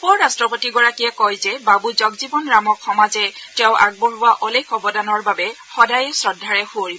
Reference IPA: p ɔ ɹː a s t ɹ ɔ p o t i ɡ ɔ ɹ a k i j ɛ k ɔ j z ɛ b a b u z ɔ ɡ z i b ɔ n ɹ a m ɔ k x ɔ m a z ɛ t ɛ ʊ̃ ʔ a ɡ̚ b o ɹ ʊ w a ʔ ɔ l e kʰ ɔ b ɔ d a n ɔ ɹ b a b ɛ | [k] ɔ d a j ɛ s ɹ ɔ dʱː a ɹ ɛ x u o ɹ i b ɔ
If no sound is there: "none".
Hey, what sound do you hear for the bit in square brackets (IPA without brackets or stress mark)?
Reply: x